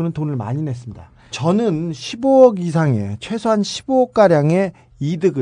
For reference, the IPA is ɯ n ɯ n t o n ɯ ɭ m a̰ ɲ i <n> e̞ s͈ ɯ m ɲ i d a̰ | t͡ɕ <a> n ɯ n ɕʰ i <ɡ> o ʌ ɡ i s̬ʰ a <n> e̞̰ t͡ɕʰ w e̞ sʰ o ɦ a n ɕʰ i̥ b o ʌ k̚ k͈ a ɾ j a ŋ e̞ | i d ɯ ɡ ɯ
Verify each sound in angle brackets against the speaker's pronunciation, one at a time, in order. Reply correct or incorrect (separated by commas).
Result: correct, incorrect, incorrect, incorrect